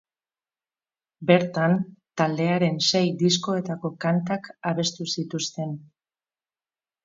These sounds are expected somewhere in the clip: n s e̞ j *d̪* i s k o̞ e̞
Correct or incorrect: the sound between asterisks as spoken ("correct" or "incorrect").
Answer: correct